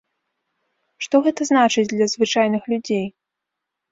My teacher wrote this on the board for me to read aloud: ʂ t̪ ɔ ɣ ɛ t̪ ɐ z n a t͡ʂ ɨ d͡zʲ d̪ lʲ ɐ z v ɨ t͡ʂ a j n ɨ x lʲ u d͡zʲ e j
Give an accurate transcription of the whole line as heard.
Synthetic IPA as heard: ʂ t̪ ɔ ɣ ɛ t̪ ɐ z n a t͡ʂ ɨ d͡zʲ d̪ lʲ ɐ z v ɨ t͡ʂ a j n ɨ x lʲ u d͡zʲ e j

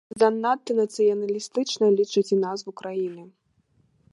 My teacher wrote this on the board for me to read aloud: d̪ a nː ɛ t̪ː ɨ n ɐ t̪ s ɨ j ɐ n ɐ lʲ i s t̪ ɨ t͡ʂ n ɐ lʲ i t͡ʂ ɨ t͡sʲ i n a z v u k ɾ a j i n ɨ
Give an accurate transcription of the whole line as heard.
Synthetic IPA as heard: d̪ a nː a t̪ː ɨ n ɐ t̪ s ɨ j ɐ n ɐ lʲ i s t̪ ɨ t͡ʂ n ɐ lʲ i t͡ʂ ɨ t͡sʲ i n a z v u k ɾ a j i n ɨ

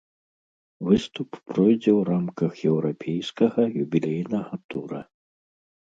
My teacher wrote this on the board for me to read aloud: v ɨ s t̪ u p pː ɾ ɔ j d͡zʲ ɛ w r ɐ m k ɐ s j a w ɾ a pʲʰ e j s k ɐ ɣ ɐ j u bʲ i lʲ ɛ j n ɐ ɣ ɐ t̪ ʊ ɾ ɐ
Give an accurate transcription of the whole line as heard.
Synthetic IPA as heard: v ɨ s t̪ u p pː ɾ ɔ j d͡zʲ ɛ w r a m k ɐ x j ɛ w ɾ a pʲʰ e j s k ɐ ɣ ɐ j u bʲ i lʲ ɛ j n ɐ ɣ ɐ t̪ u ɾ ɐ

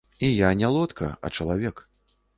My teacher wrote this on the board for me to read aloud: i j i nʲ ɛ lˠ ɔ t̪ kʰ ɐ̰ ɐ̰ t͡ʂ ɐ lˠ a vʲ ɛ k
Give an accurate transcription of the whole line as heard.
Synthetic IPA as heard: i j a nʲ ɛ lˠ ɔ t̪ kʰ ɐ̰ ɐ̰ t͡ʂ ɐ lˠ a vʲ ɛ k

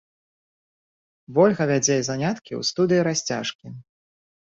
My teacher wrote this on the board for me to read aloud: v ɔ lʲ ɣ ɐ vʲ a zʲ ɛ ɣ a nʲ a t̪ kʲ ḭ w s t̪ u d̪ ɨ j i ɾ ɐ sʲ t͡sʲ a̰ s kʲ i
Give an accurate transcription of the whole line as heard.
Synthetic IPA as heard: v ɔ lʲ ɣ ɐ vʲ a d͡zʲ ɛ z a nʲ a t̪ kʲ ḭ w s t̪ u d̪ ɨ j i ɾ a sʲ t͡sʲ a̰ ʂ kʲ i

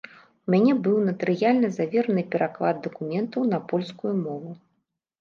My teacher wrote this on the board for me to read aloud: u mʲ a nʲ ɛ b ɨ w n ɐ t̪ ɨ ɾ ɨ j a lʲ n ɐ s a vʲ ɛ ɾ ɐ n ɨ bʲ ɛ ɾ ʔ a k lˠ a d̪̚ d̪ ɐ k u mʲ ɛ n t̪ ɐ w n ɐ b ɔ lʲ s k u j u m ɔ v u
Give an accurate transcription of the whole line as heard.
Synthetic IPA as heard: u mʲ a nʲ ɛ b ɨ w n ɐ t̪ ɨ ɾ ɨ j a lʲ n ɐ z a vʲ ɛ ɾ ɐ n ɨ pʲ ɛ ɾ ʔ a k lˠ a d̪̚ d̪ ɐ k u mʲ ɛ n t̪ ɐ w n ɐ p ɔ lʲ s k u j u m ɔ v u

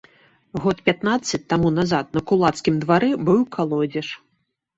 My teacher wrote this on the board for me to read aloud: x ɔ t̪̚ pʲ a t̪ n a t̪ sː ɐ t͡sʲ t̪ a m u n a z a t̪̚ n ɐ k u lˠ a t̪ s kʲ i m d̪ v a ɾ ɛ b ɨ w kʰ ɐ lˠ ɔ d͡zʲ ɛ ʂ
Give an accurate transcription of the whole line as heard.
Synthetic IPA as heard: ɣ ɔ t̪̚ pʲ a t̪ n a t̪ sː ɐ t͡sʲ t̪ a m u n a z a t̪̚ n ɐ k u lˠ a t̪ s kʲ i m d̪ v a ɾ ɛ b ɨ w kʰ a lˠ ɔ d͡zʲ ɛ ʂ

